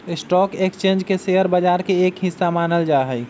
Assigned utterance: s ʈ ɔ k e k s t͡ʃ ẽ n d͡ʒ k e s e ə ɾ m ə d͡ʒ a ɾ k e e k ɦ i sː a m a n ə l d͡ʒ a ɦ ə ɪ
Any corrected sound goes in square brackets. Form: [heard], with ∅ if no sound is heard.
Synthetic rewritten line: s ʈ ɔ k e k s t͡ʃ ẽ n d͡ʒ k e s e ə ɾ [b] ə d͡ʒ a ɾ k e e k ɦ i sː a m a n ə l d͡ʒ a ɦ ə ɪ